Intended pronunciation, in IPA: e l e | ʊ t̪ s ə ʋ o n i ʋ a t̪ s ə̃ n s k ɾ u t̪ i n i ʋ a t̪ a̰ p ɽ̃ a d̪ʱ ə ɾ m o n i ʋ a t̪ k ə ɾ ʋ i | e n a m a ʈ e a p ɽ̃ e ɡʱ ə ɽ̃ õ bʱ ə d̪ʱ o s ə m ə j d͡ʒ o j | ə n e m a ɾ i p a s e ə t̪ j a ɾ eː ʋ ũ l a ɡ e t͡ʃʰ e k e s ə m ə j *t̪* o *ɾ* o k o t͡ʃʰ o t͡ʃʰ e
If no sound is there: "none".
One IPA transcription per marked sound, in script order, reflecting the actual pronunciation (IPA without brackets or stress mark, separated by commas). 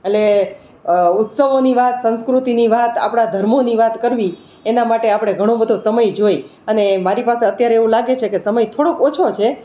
t̪ʰ, ɽ